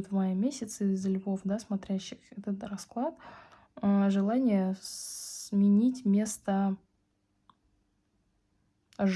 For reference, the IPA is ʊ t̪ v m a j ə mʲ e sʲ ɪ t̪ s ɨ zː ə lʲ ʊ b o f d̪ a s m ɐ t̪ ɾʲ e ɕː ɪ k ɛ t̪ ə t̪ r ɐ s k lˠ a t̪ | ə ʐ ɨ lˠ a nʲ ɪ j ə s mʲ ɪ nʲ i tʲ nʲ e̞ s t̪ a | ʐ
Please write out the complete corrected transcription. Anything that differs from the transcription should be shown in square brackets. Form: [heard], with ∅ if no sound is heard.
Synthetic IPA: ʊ t̪ v m a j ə mʲ e sʲ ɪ t̪ s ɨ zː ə lʲ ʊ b o f d̪ a s m ɐ t̪ ɾʲ [æ] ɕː ɪ [x] ɛ t̪ ə t̪ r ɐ s k lˠ a t̪ | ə ʐ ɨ lˠ a nʲ ɪ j ə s mʲ ɪ nʲ i tʲ [mʲ] e̞ s t̪ [ə] | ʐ